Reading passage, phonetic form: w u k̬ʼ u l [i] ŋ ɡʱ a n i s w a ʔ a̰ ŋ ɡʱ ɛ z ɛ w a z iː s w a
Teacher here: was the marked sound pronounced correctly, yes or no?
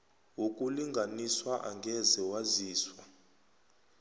yes